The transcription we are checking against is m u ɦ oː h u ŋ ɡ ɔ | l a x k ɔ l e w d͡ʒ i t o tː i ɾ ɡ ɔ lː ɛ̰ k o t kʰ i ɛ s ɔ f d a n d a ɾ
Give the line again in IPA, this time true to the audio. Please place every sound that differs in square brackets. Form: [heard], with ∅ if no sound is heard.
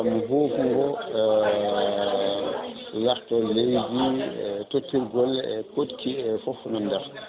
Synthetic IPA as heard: m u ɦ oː [f] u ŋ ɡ ɔ | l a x [t] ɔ l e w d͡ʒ i t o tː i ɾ ɡ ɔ [l] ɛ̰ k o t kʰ i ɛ [f] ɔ f [n] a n d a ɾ